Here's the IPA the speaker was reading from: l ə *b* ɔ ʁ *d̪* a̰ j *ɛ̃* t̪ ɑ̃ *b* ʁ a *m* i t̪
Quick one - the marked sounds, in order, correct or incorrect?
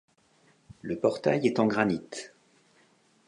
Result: incorrect: p, incorrect: t̪, incorrect: ɛ, incorrect: ɡ, incorrect: n

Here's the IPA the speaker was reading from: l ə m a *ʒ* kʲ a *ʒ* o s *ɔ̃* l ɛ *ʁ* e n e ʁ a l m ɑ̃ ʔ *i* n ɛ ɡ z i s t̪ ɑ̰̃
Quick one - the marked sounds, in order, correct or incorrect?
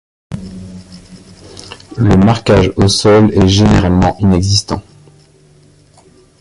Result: incorrect: ʁ, correct, incorrect: ɔ, incorrect: ʒ, correct

